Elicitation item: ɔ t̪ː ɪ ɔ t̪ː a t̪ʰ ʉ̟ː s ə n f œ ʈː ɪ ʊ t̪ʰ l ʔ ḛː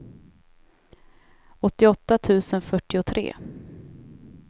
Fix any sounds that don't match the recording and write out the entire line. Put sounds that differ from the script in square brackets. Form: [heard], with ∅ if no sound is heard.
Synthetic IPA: ɔ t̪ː ɪ ɔ t̪ː a t̪ʰ ʉ̟ː s ə n f œ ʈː ɪ ʊ t̪ʰ [ɾ] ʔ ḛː